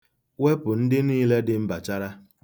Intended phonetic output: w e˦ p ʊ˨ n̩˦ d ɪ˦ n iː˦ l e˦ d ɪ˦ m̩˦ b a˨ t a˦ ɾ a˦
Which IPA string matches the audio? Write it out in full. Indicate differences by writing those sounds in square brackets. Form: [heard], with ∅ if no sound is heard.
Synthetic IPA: w e˦ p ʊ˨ n̩˦ d ɪ˦ n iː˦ l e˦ d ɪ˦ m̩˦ b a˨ [t͡ʃ] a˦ ɾ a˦